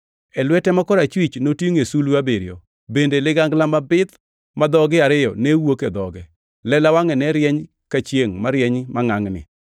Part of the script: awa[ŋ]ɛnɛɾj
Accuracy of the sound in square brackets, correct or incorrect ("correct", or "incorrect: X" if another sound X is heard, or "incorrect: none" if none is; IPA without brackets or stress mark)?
correct